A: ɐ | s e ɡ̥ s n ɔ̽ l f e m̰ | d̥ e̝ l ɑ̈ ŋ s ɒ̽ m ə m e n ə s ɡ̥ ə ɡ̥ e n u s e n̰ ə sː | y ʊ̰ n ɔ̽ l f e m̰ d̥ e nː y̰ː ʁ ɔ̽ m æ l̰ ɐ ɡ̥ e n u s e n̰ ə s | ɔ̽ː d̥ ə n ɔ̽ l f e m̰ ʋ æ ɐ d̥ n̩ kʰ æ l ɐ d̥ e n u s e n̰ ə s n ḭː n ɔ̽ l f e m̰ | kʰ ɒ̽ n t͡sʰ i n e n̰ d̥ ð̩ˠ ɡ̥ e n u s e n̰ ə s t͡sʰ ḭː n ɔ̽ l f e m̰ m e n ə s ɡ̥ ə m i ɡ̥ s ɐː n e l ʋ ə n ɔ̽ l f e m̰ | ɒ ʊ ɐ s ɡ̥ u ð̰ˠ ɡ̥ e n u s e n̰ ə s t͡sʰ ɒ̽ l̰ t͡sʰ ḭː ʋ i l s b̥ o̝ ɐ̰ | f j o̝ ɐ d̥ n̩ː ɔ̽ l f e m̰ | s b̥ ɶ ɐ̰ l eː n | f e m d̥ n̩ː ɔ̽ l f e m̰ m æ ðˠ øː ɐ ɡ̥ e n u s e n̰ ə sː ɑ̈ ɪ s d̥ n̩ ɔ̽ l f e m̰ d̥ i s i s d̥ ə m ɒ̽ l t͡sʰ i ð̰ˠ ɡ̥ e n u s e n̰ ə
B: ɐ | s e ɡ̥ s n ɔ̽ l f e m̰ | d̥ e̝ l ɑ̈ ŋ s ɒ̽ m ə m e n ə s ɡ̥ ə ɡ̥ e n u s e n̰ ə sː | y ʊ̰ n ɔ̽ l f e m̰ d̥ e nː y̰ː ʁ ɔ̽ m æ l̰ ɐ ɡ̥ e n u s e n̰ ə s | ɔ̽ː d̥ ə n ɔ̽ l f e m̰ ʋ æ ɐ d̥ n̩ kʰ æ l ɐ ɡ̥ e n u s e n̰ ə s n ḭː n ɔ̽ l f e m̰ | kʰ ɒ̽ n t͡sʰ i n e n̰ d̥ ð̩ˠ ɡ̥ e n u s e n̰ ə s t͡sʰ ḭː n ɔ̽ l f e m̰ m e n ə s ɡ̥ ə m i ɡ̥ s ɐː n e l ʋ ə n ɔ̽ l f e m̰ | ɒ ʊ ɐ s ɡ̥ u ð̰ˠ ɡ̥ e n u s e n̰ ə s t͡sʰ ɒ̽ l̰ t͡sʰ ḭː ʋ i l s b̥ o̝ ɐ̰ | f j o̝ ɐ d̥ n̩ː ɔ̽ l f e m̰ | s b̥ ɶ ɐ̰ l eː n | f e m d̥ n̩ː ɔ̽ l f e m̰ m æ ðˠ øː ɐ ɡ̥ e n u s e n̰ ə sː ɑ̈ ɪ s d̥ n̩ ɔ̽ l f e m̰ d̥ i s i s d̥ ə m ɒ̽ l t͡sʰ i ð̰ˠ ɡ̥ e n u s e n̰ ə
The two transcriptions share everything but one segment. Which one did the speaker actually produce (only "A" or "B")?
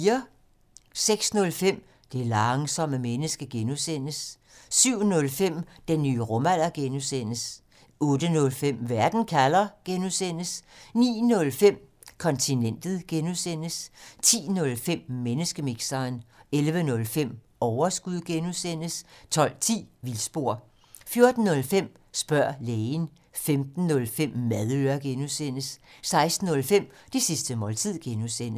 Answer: B